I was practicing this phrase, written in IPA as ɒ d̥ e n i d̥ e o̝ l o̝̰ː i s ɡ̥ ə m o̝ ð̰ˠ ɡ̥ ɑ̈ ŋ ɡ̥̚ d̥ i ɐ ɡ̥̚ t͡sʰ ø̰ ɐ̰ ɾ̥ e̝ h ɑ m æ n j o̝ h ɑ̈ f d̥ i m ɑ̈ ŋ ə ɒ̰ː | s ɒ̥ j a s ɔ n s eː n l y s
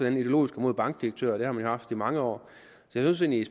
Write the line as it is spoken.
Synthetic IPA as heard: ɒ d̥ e n i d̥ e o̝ l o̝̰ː i s ɡ̥ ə m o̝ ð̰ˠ b̥ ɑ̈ ŋ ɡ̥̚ d̥ i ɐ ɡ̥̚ t͡sʰ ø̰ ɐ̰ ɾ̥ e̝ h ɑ m æ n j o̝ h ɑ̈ f d̥ i m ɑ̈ ŋ ə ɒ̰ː | s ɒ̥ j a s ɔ n s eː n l i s